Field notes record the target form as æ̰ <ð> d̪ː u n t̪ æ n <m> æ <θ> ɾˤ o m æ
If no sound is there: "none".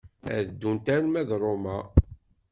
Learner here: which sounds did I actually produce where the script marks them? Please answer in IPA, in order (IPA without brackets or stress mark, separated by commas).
ð, m, ð